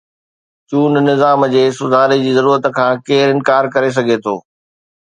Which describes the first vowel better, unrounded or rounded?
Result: rounded